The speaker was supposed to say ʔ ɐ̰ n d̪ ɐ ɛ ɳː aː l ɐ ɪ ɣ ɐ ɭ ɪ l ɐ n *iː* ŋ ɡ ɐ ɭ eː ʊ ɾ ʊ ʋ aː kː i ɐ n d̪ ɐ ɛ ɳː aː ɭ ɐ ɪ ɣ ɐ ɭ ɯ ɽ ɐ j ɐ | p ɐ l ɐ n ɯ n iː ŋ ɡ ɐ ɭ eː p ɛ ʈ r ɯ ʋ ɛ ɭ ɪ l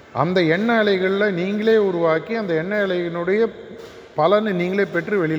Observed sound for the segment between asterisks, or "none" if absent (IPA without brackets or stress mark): iː